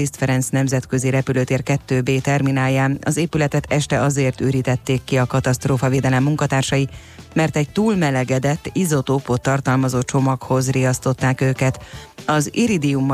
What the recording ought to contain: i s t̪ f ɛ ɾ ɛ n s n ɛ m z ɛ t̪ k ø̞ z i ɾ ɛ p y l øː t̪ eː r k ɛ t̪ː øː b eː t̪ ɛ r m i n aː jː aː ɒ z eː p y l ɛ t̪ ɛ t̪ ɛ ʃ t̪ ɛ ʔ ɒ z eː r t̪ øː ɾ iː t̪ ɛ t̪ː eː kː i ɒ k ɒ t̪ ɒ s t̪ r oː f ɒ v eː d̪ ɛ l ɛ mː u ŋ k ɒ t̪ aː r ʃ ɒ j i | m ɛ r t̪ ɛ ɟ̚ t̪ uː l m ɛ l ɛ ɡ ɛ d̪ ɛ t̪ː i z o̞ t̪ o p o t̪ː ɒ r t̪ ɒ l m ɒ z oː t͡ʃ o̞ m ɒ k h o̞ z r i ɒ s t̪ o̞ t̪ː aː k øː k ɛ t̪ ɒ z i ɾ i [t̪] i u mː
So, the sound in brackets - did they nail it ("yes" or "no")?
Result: no